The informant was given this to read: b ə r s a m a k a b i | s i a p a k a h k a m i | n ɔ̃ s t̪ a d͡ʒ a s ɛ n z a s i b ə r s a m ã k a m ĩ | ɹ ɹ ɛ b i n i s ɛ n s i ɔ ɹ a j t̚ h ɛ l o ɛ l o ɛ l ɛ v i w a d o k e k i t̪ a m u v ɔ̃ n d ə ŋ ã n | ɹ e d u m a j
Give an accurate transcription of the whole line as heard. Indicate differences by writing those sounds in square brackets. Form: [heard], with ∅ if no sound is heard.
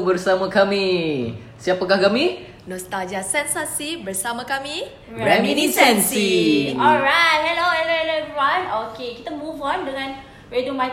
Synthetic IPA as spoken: b ə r s a m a k a [m] i | s i a p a k a h k a m i | n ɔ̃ s t̪ a d͡ʒ a s ɛ n [s] a s i b ə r s a m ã k a m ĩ | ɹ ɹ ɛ [m] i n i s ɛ n s i ɔ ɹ a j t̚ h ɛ l o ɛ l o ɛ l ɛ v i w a [n] o k e k i t̪ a m u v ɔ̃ n d ə ŋ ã n | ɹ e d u m a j